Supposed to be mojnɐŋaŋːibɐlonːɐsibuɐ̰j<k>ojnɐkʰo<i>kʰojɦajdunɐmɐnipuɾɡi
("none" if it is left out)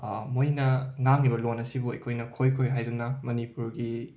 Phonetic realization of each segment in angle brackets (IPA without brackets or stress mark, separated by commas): kʰ, j